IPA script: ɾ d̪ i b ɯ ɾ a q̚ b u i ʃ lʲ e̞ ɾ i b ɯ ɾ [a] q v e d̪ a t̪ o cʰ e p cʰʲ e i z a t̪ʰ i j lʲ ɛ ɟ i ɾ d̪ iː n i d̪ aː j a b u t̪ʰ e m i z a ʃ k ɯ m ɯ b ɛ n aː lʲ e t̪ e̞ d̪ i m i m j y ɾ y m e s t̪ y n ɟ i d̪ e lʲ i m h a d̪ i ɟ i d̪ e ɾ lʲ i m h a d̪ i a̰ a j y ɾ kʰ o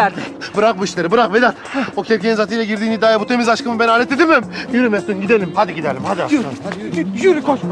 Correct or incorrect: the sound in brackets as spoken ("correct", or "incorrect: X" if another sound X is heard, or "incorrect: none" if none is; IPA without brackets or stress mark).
correct